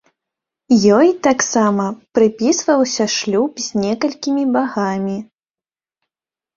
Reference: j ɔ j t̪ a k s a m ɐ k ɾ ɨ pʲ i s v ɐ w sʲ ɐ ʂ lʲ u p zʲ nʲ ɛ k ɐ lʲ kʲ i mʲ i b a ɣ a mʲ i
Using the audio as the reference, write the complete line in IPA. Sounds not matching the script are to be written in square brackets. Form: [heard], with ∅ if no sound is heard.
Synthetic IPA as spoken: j ɔ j t̪ a k s a m ɐ [p] ɾ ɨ pʲ i s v ɐ w sʲ ɐ ʂ lʲ u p zʲ nʲ ɛ k ɐ lʲ kʲ i mʲ i b a ɣ a mʲ i